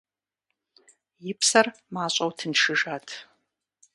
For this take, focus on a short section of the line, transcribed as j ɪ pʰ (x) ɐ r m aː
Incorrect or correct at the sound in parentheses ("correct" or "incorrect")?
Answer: incorrect